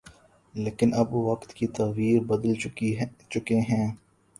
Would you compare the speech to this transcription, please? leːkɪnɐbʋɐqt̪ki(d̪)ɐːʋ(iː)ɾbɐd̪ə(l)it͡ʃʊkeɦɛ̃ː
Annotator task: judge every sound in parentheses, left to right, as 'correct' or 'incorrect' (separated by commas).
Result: incorrect, correct, correct